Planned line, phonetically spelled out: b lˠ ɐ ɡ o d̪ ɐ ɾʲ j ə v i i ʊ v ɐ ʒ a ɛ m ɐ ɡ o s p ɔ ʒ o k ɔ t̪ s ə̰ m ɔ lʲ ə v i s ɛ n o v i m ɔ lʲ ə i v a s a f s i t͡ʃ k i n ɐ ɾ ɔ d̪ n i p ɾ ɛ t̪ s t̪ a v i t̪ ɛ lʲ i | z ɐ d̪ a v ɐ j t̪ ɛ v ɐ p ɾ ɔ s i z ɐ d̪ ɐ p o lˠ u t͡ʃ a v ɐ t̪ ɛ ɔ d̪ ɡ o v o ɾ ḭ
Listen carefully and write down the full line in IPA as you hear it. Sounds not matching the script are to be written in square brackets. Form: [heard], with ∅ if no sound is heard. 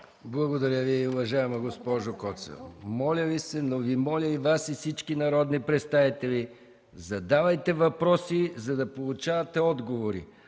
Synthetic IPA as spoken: b lˠ ɐ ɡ o d̪ ɐ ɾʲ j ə v i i ʊ v ɐ ʒ a ɛ m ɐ ɡ o s p ɔ ʒ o k ɔ t̪ s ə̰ m ɔ lʲ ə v i s ɛ n o v i m ɔ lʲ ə i v a s [i] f s i t͡ʃ k i n ɐ ɾ ɔ d̪ n i p ɾ ɛ t̪ s t̪ a v i t̪ ɛ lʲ i | z ɐ d̪ a v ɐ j t̪ ɛ v ɐ p ɾ ɔ s i z ɐ d̪ ɐ p o lˠ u t͡ʃ a v ɐ t̪ ɛ ɔ d̪ ɡ o v o ɾ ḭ